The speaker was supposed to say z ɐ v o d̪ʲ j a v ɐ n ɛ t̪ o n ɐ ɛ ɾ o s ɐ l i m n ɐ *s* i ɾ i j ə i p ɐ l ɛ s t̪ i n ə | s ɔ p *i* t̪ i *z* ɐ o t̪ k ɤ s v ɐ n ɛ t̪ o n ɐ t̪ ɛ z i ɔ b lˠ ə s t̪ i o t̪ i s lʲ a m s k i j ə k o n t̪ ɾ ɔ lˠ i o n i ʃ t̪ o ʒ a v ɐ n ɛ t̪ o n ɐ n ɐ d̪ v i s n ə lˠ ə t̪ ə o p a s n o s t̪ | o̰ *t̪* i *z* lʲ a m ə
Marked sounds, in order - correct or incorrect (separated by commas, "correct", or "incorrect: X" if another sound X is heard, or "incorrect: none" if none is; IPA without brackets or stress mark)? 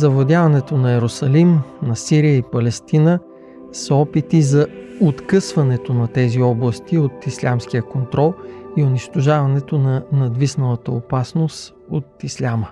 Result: correct, correct, correct, correct, incorrect: s